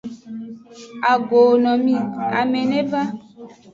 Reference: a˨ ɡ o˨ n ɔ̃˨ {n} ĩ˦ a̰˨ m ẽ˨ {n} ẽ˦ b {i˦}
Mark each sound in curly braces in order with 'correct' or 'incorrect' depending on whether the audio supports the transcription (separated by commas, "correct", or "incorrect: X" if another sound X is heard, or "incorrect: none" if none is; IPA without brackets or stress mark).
incorrect: m, correct, incorrect: a˦